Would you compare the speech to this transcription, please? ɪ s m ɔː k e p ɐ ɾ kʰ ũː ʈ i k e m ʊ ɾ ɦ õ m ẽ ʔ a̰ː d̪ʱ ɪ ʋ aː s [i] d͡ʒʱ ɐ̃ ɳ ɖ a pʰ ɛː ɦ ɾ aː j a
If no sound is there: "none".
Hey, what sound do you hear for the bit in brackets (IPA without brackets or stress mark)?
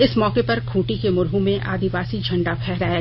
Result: i